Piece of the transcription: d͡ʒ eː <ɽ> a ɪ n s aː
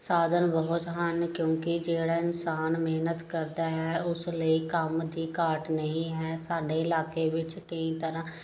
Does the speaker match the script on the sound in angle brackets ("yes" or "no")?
yes